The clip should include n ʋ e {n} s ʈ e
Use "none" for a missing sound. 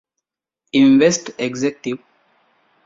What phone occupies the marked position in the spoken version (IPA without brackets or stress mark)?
none